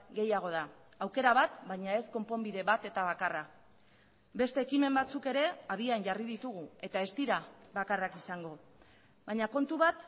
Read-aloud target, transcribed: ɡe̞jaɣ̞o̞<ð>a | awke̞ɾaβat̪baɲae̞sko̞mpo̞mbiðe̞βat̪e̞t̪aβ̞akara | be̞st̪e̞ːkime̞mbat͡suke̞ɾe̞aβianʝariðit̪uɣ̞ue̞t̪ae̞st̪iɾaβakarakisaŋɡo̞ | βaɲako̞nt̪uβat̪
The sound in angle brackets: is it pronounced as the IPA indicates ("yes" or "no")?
yes